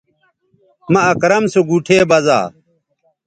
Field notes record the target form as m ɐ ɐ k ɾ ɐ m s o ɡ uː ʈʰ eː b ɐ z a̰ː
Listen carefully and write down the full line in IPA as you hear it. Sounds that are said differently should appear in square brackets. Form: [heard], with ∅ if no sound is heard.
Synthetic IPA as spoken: m ɐ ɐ k ɾ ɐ m s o ɡ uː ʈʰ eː b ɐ z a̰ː